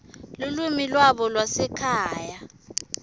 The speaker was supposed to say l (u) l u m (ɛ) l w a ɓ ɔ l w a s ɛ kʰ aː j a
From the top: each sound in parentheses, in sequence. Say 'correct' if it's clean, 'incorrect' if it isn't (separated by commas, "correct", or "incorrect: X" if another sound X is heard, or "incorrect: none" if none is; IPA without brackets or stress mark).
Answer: correct, incorrect: i